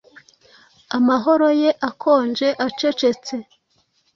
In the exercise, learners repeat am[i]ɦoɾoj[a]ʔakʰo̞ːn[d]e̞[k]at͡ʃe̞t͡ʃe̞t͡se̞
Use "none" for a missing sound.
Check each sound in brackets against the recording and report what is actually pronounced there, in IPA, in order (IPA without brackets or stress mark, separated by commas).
a, e, d͡ʒ, ʔ